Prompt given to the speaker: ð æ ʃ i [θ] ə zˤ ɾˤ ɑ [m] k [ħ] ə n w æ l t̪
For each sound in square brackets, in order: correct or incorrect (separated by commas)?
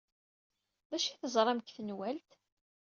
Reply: correct, correct, incorrect